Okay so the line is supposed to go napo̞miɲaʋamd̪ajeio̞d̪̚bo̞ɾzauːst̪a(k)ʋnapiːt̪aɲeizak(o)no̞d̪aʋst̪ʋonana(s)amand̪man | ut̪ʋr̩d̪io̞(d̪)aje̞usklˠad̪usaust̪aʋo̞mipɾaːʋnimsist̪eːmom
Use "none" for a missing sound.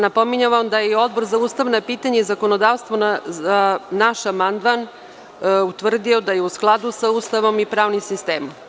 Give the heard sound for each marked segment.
none, o, ʃ, d̪

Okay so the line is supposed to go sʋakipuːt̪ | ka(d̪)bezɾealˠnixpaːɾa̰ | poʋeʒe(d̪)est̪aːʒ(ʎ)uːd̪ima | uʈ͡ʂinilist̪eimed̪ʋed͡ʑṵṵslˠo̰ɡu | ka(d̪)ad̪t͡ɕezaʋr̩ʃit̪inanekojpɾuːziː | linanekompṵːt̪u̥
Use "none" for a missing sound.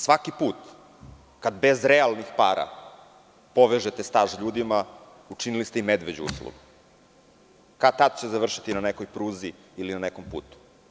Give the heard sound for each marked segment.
d̪, t̪, ʎ, t̪

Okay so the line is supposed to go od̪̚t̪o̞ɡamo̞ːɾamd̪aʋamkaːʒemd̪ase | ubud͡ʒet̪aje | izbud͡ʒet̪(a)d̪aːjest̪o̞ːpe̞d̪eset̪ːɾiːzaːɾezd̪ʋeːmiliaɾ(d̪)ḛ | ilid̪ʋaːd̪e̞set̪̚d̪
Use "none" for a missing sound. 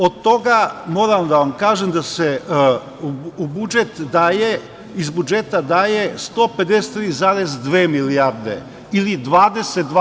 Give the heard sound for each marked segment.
a, d̪

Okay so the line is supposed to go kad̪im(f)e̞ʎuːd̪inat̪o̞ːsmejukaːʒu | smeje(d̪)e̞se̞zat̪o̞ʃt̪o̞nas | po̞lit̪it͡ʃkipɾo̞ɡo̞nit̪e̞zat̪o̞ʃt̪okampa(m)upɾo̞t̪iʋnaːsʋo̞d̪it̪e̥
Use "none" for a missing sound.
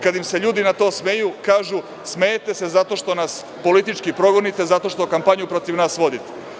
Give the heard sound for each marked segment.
s, t̪, ɲ

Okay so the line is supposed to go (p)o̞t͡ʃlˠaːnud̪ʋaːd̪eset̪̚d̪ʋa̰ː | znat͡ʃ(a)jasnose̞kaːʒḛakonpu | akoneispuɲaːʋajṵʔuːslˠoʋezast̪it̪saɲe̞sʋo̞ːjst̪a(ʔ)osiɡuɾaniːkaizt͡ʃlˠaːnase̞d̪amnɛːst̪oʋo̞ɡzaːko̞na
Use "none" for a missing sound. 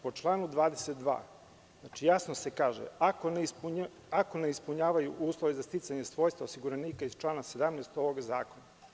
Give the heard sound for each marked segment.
p, i, none

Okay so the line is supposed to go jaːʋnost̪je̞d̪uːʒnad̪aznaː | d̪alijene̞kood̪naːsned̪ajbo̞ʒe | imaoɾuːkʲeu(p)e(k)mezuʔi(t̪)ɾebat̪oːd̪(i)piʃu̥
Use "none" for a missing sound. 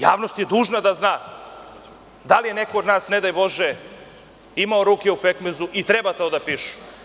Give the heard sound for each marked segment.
p, k, t̪, a

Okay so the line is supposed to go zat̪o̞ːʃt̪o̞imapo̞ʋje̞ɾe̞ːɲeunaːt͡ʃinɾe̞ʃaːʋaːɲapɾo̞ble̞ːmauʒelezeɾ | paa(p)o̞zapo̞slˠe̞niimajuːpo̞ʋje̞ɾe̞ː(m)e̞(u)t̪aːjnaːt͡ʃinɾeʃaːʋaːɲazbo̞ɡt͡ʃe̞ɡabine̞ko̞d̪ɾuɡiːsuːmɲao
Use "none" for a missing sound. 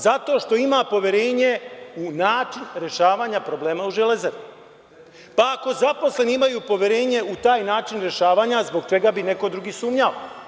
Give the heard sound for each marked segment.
k, ɲ, u

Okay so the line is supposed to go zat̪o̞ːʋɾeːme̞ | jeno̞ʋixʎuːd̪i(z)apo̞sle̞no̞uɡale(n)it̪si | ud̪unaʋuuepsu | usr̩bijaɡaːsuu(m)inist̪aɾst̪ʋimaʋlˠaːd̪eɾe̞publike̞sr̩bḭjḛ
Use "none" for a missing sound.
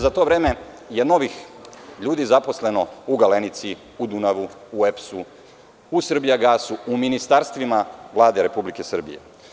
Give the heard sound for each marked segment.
z, n, m

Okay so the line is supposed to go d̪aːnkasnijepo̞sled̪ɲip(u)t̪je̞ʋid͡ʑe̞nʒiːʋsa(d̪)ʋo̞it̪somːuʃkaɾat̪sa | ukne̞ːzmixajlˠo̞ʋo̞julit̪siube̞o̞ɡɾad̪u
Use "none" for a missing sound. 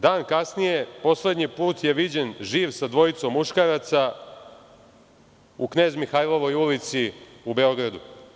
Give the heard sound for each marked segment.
uː, d̪

